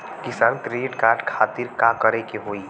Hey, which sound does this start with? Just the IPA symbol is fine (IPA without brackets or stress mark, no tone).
k